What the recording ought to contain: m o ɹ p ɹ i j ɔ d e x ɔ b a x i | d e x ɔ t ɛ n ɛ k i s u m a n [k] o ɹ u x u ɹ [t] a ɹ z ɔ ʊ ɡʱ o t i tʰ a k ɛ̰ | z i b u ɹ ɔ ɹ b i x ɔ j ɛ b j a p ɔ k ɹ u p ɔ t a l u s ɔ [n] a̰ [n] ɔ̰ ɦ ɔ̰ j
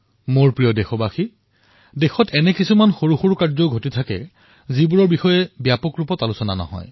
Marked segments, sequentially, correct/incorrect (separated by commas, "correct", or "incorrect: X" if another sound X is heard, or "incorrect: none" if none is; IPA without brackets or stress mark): incorrect: x, incorrect: k, correct, correct